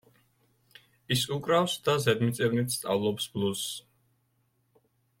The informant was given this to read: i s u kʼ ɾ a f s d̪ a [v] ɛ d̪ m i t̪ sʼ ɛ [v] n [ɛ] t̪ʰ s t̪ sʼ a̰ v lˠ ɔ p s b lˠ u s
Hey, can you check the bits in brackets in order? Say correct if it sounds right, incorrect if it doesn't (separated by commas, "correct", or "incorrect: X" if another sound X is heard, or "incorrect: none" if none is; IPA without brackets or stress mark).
incorrect: z, correct, incorrect: i